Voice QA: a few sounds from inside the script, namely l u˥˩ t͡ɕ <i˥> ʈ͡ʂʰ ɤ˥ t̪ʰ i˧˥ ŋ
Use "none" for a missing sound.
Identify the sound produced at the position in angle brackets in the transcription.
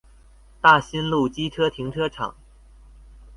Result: i˥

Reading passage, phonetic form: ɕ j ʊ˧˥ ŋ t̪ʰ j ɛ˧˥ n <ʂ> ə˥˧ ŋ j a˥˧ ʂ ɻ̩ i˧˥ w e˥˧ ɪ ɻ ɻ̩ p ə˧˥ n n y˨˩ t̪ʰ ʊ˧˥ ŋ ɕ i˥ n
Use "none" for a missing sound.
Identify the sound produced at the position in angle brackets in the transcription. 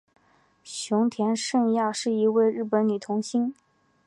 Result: ʂ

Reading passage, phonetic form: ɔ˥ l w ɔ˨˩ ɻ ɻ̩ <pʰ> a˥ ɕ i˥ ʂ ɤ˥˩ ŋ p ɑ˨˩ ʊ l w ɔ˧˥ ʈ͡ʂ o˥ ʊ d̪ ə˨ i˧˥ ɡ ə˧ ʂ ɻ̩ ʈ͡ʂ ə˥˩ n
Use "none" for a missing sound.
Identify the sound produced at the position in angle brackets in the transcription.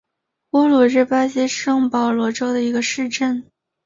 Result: p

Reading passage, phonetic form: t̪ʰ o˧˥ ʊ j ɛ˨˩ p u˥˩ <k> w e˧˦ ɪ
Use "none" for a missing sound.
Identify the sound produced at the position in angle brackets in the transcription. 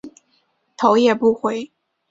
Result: x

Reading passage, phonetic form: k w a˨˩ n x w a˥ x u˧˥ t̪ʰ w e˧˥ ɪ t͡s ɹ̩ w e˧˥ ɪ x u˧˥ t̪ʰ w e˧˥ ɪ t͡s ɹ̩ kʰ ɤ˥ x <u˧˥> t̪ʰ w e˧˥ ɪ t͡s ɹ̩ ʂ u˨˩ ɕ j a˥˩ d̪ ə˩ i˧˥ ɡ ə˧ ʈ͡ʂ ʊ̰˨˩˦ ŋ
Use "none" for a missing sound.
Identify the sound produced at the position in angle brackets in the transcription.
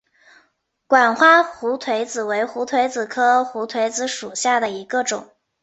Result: u˧˥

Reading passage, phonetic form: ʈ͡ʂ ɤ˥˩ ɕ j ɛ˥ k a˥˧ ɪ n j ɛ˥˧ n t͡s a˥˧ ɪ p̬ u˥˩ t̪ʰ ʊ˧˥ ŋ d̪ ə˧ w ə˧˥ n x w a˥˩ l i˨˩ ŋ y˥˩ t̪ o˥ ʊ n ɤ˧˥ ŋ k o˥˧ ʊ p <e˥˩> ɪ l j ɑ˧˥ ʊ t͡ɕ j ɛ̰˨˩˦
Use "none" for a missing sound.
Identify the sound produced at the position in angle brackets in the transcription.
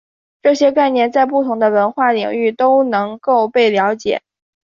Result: e˥˩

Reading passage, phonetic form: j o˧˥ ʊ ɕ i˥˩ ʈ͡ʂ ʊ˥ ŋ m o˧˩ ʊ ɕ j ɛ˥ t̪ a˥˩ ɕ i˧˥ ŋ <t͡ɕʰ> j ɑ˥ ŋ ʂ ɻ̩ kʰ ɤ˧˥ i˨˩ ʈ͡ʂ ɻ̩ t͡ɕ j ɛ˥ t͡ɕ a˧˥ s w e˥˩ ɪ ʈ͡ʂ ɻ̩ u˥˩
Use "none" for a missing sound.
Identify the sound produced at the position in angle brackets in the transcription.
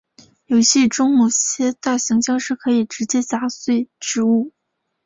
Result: t͡ɕ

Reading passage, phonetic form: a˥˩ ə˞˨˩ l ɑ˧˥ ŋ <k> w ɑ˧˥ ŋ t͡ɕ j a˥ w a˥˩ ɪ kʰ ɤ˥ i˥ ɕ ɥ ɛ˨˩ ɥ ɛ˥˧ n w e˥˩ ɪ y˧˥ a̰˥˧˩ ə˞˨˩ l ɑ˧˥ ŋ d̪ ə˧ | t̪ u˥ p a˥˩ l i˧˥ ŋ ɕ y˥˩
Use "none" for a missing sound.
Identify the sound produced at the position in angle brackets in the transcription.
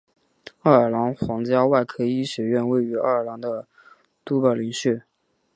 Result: x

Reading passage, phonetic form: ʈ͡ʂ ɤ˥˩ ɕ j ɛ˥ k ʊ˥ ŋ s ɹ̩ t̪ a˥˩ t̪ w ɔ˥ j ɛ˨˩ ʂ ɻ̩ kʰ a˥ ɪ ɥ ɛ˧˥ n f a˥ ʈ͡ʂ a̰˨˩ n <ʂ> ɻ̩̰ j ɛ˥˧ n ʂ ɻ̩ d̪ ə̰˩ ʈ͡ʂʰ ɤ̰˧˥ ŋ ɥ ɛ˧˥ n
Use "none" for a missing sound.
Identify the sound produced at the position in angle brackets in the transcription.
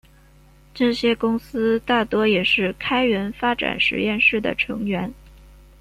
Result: ʂ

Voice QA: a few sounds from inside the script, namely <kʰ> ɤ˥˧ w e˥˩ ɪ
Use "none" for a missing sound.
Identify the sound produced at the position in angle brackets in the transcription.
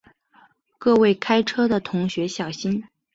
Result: k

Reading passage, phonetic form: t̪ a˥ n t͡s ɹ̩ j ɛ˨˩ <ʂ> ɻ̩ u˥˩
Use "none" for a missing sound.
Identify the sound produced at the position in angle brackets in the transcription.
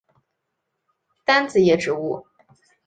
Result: ʈ͡ʂ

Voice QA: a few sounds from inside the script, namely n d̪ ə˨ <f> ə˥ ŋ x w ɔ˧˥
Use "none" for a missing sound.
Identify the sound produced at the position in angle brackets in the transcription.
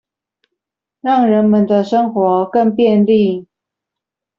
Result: ʂ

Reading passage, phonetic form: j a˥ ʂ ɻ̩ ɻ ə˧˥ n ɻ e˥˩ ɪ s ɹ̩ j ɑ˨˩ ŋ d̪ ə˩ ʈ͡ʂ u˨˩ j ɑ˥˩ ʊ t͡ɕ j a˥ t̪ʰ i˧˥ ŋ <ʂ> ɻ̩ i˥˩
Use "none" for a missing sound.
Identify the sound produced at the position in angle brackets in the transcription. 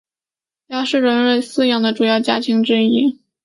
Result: ʈ͡ʂ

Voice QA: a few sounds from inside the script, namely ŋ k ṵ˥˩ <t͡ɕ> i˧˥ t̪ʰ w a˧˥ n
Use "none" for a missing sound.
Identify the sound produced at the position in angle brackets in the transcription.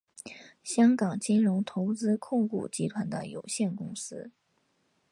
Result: t͡ɕ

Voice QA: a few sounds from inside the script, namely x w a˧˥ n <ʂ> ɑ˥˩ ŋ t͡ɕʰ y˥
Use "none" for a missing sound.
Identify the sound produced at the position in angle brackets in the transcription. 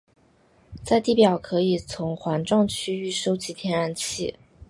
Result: ʈ͡ʂ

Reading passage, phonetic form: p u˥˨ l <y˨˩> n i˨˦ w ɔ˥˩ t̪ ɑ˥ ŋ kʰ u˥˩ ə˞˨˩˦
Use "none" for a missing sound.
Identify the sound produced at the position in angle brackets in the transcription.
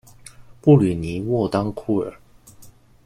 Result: y˨˩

